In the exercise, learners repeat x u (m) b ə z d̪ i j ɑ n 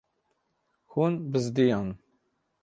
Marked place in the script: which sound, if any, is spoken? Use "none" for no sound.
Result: n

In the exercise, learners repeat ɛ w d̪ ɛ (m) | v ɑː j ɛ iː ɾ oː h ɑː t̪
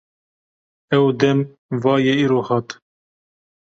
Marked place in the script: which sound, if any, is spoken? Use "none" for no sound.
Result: m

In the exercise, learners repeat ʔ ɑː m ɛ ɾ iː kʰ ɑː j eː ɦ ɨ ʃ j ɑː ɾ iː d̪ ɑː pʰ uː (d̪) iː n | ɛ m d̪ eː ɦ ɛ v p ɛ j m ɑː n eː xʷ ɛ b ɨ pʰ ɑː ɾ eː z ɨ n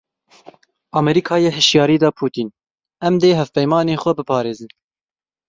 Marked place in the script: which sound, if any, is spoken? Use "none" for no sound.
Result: t̪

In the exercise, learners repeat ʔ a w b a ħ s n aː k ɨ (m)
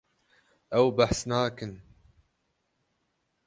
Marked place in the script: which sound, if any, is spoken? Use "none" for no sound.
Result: n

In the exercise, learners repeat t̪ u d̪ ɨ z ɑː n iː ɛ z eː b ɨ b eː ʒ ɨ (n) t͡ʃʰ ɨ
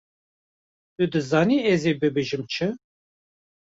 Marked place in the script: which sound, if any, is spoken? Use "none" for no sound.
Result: m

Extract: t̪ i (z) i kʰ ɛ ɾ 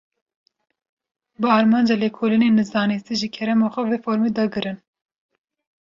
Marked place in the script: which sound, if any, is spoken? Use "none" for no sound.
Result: ʒ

